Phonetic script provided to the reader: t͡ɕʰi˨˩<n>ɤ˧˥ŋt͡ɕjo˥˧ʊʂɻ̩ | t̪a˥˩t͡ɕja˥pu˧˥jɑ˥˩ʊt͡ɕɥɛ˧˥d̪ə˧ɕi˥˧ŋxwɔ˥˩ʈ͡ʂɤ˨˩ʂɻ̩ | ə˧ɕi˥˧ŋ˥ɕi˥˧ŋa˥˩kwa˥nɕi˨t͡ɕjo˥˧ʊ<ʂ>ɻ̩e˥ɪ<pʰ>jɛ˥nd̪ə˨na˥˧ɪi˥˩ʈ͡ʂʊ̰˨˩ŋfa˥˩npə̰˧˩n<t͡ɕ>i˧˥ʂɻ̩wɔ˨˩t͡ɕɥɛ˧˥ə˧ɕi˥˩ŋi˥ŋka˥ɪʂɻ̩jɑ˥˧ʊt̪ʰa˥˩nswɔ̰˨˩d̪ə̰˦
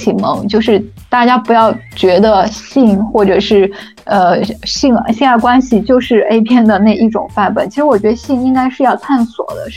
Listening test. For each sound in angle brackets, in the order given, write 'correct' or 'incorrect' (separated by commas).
incorrect, correct, correct, incorrect